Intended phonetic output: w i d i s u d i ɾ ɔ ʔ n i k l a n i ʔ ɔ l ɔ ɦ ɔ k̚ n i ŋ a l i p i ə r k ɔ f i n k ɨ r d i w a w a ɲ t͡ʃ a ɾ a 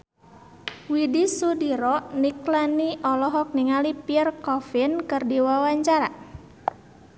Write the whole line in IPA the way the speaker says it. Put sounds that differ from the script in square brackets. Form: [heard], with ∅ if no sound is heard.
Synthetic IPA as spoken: w i d i s u d i ɾ ɔ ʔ n i k l a n i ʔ ɔ l ɔ ɦ ɔ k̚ n i ŋ a l i p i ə r k ɔ f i n k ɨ r d i w a w a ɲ t͡ʃ a ɾ a